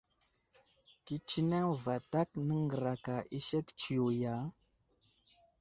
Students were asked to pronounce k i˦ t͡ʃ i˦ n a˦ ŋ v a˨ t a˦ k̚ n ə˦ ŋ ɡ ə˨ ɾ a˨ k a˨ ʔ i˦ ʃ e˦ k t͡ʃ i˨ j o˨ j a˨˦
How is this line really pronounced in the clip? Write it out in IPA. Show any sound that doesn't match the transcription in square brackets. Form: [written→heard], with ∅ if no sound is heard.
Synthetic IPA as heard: k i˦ t͡ʃ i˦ n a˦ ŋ v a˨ t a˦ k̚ n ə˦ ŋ ɡ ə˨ ɾ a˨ k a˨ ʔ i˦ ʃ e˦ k t͡ʃ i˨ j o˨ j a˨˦

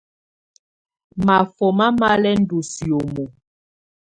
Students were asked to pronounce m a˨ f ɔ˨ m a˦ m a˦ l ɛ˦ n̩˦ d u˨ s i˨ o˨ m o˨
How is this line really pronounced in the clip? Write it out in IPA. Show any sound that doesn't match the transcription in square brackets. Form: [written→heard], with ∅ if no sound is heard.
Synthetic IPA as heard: m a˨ f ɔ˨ m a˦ m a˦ l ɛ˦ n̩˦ d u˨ s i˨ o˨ m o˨

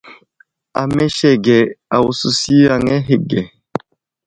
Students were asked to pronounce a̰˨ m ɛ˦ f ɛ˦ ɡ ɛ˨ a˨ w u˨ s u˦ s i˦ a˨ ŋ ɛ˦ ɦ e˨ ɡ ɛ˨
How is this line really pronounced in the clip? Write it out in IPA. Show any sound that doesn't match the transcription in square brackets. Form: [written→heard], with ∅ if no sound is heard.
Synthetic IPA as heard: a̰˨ m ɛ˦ [f→ʃ] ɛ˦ ɡ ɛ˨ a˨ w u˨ s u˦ s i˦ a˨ ŋ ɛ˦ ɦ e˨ ɡ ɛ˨

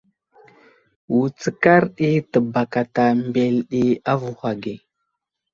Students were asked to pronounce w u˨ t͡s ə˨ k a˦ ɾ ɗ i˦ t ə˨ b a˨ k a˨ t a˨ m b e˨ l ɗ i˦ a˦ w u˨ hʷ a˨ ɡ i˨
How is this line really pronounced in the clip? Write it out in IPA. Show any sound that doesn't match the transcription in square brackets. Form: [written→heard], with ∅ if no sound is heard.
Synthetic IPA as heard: w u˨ t͡s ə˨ k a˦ ɾ ɗ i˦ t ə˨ b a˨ k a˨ t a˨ m b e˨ l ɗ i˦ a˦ [w→v] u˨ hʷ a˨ ɡ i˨

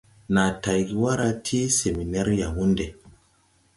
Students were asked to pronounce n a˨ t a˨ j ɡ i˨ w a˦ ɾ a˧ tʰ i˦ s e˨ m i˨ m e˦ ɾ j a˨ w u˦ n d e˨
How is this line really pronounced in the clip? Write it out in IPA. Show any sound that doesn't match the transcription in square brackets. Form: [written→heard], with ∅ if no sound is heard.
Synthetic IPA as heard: n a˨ t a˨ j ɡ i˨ w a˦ ɾ a˧ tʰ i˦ s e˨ m i˨ [m→n] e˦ ɾ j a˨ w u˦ n d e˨

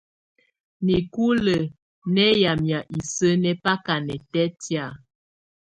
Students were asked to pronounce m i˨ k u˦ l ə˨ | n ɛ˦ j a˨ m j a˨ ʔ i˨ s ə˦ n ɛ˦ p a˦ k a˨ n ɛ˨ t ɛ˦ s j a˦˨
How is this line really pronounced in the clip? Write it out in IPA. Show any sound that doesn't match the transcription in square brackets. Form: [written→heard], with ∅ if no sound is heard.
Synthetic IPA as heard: [m→n] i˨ k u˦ l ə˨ | n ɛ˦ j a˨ m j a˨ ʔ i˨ s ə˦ n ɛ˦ p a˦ k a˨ n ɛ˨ t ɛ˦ [s→t] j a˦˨

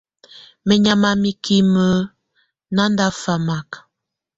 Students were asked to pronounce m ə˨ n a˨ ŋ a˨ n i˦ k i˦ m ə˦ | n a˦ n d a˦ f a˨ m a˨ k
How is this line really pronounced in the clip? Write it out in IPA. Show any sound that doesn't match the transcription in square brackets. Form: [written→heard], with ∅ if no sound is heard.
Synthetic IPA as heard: m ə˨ [n→ɲ] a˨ [ŋ→m] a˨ [n→m] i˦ k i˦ m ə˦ | n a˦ n d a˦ f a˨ m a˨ k

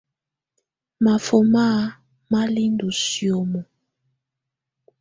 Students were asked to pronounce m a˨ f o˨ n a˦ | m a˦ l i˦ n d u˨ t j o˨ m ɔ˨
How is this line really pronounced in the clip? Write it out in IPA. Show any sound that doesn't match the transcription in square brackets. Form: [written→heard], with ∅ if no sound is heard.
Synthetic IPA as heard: m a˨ f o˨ [n→m] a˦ | m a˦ l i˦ n d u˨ [t→s] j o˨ m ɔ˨

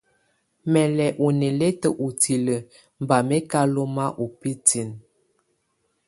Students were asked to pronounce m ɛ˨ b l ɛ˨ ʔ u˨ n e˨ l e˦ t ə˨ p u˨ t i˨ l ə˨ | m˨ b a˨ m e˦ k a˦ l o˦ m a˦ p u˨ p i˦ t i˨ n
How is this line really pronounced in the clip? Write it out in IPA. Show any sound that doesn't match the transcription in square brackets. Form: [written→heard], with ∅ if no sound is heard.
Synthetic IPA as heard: m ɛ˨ [b→∅] l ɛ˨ ʔ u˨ n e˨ l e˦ t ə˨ [p→ʔ] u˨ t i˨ l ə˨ | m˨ b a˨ m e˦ k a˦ l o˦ m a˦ [p→ʔ] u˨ p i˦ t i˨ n

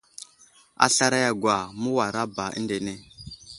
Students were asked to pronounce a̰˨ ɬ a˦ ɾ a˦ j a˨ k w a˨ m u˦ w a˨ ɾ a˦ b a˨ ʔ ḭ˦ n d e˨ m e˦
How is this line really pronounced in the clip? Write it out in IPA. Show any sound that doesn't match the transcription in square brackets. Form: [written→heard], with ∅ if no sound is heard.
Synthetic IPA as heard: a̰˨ ɬ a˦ ɾ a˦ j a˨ [k→ɡ] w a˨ m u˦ w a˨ ɾ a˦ b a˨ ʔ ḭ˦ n d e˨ [m→n] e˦

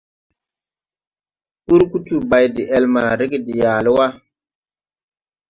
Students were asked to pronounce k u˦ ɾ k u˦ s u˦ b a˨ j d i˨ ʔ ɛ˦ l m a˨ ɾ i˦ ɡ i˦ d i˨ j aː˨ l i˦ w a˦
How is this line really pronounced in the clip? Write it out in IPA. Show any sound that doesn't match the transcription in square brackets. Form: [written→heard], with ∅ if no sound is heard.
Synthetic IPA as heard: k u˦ ɾ k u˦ [s→t] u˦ b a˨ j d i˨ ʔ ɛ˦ l m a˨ ɾ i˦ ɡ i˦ d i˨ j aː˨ l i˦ w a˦

